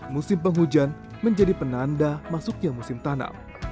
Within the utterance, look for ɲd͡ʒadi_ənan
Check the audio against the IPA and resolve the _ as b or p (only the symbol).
p